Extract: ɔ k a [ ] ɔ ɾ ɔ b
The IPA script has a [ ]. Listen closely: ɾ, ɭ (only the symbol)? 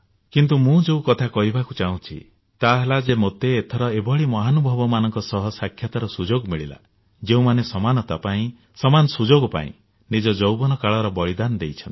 ɭ